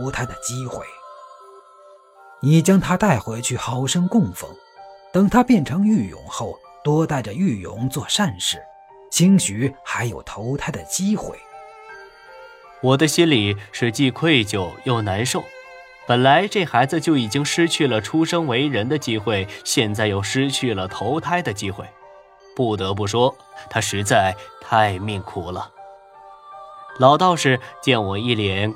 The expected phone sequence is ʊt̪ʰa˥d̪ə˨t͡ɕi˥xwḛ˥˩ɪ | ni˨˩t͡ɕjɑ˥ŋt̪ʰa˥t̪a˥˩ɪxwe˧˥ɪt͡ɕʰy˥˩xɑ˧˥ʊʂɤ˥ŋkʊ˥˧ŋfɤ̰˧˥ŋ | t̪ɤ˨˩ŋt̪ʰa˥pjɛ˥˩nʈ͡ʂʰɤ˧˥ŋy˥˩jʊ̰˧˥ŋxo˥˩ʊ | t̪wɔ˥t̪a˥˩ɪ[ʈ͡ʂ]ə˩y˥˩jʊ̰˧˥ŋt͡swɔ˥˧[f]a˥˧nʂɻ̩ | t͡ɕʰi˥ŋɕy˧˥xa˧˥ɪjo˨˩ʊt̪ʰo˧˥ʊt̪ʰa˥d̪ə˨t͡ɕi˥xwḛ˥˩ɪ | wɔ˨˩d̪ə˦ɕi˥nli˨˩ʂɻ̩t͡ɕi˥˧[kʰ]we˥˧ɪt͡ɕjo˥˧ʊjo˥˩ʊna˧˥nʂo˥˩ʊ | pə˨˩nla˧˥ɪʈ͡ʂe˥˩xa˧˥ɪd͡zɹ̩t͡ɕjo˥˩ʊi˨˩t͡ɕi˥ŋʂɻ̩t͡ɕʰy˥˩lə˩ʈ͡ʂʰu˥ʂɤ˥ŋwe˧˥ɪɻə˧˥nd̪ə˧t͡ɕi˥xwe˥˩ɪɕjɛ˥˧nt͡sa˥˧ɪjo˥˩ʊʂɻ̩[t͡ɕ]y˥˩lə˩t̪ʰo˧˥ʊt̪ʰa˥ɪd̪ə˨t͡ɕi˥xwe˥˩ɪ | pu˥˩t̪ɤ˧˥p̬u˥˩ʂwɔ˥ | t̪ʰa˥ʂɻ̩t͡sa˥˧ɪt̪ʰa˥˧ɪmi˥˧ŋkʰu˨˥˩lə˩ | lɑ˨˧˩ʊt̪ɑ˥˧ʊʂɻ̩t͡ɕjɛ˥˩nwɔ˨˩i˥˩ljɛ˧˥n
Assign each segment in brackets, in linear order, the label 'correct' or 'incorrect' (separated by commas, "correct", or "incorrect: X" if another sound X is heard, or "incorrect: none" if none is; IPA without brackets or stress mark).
correct, incorrect: ʂ, correct, incorrect: t͡ɕʰ